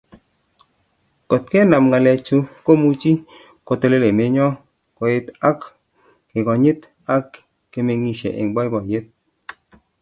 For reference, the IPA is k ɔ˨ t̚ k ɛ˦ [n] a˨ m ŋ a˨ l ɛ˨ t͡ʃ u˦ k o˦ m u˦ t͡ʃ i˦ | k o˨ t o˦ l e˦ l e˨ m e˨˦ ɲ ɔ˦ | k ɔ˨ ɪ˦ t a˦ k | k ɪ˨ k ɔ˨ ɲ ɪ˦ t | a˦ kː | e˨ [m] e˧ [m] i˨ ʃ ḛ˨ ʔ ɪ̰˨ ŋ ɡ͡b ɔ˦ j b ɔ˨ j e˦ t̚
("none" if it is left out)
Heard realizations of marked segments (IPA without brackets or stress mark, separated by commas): n, m, ŋ